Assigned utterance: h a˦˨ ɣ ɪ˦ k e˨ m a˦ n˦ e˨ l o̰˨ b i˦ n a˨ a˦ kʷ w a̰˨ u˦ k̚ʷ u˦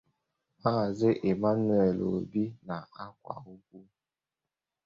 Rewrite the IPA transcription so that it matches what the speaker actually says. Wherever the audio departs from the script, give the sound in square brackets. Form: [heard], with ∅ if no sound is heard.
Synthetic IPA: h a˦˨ [z] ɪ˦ [ʔ] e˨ m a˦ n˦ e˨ l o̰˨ b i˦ n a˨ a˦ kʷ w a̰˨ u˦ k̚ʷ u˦